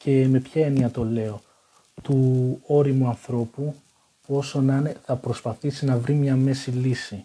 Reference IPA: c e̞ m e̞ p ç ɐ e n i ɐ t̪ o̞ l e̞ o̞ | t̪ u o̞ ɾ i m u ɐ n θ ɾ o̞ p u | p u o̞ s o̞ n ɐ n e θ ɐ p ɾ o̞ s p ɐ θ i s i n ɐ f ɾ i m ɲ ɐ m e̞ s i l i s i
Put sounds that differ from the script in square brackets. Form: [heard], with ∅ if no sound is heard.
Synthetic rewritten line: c e̞ m e̞ p ç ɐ e n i ɐ t̪ o̞ l e̞ o̞ | t̪ u o̞ ɾ i m u ɐ n θ ɾ o̞ p u | p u o̞ s o̞ n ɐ n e θ ɐ p ɾ o̞ s p ɐ θ i s i n ɐ [v] ɾ i m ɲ ɐ m e̞ s i l i s i